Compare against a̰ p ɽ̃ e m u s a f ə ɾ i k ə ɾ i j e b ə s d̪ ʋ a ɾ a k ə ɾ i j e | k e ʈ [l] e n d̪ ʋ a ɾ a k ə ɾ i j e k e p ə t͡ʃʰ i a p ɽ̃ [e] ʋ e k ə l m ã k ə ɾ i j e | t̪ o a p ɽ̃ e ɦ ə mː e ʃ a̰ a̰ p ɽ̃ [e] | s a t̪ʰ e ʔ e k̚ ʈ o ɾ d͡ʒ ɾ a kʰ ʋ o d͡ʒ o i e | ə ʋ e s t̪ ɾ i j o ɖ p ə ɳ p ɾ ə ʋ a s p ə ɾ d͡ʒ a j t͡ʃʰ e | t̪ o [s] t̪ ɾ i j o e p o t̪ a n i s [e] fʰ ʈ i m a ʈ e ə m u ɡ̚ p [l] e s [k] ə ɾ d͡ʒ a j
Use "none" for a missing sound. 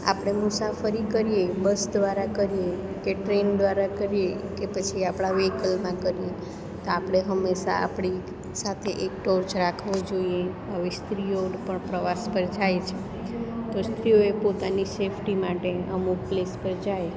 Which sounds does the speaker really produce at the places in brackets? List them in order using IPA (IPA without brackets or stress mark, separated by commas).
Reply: ɾ, a, i, s, e, l, p